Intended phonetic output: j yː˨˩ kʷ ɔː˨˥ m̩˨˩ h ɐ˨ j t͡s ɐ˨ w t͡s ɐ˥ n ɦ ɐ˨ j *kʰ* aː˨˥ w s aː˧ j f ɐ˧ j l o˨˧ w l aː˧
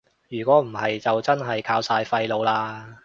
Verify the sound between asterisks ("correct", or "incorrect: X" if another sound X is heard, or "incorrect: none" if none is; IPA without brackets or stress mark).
correct